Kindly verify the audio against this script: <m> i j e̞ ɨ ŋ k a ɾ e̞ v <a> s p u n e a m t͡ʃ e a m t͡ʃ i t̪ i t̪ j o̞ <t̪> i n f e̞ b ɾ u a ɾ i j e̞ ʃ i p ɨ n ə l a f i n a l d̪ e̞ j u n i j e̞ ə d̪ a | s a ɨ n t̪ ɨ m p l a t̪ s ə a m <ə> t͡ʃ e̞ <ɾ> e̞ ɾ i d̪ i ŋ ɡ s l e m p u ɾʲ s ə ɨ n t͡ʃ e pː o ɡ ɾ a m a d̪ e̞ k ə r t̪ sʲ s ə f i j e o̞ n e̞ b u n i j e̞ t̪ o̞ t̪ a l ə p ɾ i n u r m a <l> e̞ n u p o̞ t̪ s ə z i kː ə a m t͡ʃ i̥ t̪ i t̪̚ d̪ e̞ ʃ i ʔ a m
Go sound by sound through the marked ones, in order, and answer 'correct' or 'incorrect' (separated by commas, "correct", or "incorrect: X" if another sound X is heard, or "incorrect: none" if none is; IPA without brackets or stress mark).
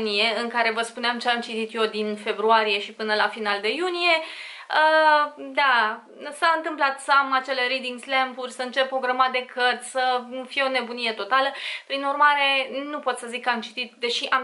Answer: incorrect: n, incorrect: ə, incorrect: d̪, incorrect: a, incorrect: l, incorrect: ɾ